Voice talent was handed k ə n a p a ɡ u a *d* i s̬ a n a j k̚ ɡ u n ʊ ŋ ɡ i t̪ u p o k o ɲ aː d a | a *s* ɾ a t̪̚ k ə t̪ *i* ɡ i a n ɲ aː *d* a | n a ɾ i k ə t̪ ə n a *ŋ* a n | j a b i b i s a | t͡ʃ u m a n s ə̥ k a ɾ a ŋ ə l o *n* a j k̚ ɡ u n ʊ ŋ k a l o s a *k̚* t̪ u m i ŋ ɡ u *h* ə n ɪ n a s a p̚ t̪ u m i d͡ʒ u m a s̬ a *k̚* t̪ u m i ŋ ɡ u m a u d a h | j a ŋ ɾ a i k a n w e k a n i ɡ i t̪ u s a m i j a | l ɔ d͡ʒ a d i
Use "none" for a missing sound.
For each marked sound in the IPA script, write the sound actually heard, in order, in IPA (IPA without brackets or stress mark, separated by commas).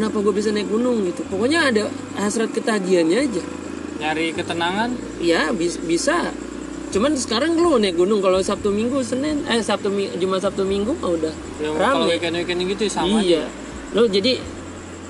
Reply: b, s, a, d͡ʒ, ŋ, n, p̚, s, p̚